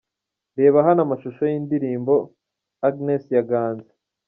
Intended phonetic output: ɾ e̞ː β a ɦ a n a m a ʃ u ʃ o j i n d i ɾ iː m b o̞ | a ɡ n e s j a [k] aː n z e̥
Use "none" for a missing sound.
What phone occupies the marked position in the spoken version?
ɡ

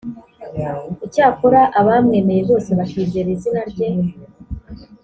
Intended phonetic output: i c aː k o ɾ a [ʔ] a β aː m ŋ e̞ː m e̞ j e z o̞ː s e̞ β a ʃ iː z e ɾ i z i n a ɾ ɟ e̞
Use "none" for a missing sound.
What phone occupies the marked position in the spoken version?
ʔ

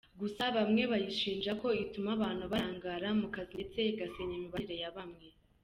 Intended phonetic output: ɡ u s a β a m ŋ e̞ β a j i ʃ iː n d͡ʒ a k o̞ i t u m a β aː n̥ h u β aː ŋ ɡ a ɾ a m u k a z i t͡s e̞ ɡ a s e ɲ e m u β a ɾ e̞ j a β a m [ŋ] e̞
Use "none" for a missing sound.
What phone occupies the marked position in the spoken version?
ŋ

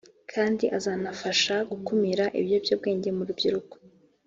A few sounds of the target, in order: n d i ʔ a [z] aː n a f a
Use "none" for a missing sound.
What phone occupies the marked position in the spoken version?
z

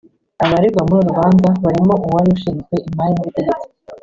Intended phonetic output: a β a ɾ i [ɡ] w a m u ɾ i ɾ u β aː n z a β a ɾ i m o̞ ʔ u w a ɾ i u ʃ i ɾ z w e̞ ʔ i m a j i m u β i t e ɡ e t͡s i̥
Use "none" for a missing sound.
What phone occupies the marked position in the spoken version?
ɡ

